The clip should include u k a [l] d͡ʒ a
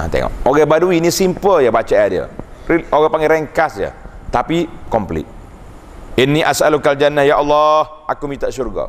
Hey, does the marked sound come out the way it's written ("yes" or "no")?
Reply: yes